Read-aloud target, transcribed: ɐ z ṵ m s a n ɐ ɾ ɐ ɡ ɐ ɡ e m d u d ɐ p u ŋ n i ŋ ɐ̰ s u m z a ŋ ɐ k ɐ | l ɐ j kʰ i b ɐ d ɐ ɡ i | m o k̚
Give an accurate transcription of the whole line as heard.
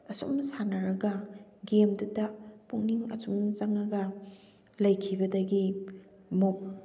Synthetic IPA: ɐ s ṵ m s a n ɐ ɾ ɐ ɡ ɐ ɡ e m d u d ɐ p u ŋ n i ŋ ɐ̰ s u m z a ŋ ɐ ɡ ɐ | l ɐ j kʰ i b ɐ d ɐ ɡ i | m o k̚

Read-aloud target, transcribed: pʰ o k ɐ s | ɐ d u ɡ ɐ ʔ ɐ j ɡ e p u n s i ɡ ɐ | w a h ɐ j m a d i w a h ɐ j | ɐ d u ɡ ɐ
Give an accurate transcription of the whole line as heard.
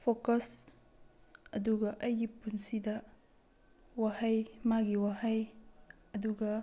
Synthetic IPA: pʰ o k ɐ s | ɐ d u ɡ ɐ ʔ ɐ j ɡ i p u n s i d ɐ | w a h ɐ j m a ɡ i w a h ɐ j | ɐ d u ɡ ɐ

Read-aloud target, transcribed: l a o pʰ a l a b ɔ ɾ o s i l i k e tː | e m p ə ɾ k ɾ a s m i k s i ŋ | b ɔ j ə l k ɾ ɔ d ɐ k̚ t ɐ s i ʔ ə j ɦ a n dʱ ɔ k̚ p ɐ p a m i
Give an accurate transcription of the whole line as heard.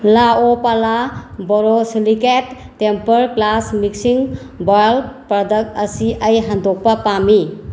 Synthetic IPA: l a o p a l a b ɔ ɾ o s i l i k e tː | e m p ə ɾ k l a s m i k s i ŋ | b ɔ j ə l p ɾ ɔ d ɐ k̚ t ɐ s i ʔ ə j ɦ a n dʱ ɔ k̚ p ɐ p a m i

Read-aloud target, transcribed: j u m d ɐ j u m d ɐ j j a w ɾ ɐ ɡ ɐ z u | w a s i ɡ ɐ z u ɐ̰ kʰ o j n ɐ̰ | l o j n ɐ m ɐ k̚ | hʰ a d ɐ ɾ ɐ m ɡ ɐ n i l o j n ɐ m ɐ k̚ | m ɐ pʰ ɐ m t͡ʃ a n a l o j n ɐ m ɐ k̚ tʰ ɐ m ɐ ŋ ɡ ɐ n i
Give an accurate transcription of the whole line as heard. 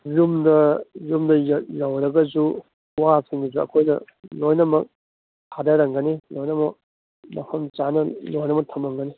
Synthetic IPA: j u m d ɐ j u m d ɐ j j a w ɾ ɐ ɡ ɐ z u | w a s i ŋ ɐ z u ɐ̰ kʰ o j n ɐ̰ | l o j n ɐ m ɐ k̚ | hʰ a d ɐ ɾ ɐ ŋ ɡ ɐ n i l o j n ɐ m ɐ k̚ | m ɐ pʰ ɐ m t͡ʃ a n ɐ l o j n ɐ m ɐ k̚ tʰ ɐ m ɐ ŋ ɡ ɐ n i

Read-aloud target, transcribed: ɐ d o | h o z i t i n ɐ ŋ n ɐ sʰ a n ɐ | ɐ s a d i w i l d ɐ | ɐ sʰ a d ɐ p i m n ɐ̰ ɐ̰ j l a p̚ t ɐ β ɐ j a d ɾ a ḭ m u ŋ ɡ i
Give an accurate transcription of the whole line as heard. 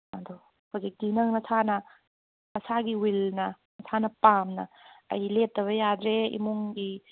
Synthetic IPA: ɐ d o | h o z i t i n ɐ ŋ n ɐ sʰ a n ɐ | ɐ s a ɡ i w i l n ɐ | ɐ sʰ a n ɐ p a m n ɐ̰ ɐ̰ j l e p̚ t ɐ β ɐ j a d ɾ e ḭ m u ŋ ɡ i

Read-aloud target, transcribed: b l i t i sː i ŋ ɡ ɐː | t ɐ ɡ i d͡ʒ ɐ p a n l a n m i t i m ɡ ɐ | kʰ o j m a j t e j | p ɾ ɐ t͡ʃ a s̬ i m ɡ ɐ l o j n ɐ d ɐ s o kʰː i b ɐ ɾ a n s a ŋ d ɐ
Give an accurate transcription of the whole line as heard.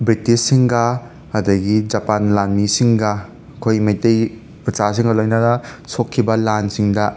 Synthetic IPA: b ɾ i t i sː i ŋ ɡ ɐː | d ɐ ɡ i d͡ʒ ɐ p a n l a n m i s i ŋ ɡ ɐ | kʰ o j m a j t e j | p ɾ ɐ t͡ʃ a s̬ i ŋ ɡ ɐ l o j n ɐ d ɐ s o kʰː i b ɐ l a n s i ŋ d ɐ

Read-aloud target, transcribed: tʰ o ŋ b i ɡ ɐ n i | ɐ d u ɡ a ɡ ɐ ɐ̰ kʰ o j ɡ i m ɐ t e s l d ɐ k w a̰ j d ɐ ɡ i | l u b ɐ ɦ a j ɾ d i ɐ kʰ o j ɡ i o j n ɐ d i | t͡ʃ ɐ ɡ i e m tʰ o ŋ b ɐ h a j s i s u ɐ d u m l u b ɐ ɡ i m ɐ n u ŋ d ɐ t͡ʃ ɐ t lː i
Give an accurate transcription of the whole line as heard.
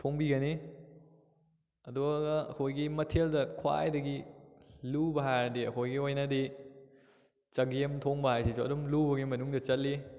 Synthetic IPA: tʰ o ŋ b i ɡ ɐ n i | ɐ d u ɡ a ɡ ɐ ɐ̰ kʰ o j ɡ i m ɐ tʰ e l d ɐ kʰ w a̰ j d ɐ ɡ i | l u b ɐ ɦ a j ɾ d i ɐ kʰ o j ɡ i o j n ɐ d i | t͡ʃ ɐ ɡ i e m tʰ o ŋ b ɐ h a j s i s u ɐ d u m l u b ɐ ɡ i m ɐ n u ŋ d ɐ t͡ʃ ɐ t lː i

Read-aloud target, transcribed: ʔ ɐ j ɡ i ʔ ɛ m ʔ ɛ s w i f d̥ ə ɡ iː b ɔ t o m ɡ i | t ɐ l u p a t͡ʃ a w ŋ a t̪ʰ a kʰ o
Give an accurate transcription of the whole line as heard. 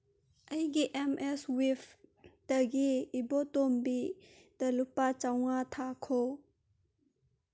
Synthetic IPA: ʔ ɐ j ɡ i ʔ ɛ m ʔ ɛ s w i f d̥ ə ɡ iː b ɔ t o m b i | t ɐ l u p a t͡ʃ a w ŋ a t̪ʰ a kʰ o

